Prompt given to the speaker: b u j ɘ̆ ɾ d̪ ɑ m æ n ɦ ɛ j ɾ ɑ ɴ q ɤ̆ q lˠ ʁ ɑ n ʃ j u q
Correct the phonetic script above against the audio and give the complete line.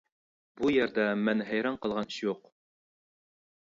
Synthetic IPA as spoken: b u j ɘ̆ ɾ d̪ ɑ m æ n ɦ æ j ɾ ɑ ɴ q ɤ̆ lˠ ʁ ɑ n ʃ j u q